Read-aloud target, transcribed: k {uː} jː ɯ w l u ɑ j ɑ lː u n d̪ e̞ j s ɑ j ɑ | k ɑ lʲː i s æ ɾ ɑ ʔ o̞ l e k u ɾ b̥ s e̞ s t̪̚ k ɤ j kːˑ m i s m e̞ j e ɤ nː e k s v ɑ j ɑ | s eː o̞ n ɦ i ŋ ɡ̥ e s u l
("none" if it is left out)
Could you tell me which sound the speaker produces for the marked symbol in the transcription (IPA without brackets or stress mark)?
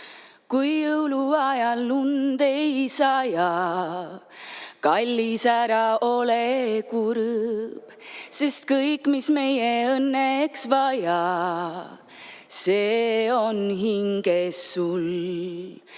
u